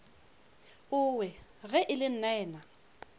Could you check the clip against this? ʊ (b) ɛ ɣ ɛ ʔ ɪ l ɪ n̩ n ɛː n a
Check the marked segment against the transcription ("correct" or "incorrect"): incorrect